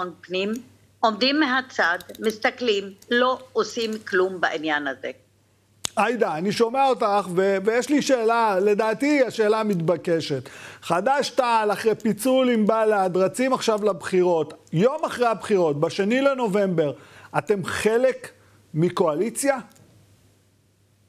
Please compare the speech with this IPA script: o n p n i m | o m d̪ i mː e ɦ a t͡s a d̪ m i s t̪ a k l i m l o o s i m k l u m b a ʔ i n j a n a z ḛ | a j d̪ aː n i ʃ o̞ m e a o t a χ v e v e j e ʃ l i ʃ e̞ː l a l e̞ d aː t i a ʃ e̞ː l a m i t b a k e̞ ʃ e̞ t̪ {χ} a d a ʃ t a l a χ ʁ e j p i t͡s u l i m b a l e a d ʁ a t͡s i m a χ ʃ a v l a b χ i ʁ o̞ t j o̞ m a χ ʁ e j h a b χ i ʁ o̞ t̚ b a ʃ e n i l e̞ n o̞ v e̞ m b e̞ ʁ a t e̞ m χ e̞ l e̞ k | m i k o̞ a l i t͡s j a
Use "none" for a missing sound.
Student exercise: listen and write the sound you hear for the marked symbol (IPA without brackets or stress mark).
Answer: χ